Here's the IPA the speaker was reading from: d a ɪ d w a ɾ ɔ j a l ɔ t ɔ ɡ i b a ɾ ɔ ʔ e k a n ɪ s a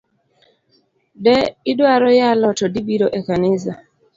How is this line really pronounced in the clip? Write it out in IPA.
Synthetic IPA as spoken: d ɛ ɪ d w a ɾ ɔ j a l ɔ t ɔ d i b i ɾ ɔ ʔ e k a n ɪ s a